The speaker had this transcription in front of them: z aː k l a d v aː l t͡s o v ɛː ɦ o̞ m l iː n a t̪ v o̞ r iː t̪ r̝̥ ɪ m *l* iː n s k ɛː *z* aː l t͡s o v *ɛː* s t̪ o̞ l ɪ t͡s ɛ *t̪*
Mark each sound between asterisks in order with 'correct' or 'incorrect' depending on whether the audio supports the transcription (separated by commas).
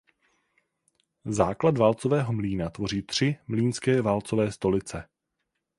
correct, incorrect, correct, incorrect